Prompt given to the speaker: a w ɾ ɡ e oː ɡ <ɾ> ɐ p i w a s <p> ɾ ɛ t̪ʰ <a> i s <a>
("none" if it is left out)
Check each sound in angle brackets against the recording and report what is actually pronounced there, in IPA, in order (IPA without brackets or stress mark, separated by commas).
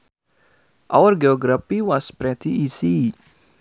ɾ, p, i, i